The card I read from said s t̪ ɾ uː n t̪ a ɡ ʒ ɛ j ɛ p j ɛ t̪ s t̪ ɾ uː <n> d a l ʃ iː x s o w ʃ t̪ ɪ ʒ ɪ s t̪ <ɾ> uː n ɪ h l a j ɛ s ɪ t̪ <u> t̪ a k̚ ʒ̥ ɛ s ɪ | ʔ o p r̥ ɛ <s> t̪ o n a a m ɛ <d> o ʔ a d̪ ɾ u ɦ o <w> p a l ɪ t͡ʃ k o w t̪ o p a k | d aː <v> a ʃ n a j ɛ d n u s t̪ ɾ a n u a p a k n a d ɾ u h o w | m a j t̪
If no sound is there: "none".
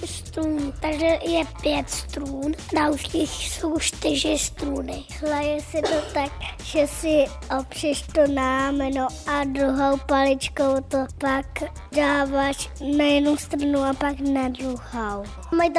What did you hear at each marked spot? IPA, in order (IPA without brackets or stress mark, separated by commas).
n, ɾ, o, ʃ, n, w, v